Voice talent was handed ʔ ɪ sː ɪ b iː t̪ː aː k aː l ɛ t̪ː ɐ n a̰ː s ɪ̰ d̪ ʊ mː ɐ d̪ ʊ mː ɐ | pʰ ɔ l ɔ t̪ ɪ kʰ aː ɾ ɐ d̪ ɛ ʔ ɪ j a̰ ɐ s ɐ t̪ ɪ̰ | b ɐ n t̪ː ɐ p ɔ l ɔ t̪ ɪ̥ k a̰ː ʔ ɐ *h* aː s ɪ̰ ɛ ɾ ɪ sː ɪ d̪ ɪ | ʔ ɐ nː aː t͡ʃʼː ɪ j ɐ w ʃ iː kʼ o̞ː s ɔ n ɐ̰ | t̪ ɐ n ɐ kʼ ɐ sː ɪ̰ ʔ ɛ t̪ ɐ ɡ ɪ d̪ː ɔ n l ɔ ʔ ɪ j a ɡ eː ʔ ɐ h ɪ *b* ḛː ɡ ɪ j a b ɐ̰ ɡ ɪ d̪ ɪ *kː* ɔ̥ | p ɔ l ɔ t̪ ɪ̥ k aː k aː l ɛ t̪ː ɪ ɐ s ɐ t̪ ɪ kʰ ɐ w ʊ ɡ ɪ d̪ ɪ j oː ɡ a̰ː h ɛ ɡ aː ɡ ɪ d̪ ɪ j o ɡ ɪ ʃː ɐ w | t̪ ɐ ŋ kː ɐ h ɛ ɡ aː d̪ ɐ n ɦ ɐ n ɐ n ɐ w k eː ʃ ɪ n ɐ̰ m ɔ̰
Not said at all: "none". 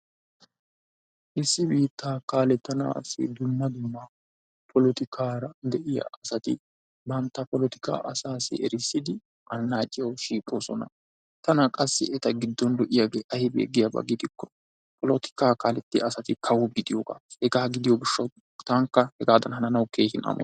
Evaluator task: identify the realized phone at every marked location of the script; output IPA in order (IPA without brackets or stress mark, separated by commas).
s, b, kː